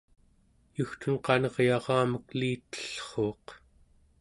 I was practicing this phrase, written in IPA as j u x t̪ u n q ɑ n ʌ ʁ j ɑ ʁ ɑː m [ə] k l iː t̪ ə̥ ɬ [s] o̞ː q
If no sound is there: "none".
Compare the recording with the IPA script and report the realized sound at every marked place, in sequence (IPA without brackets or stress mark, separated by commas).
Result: ə, χ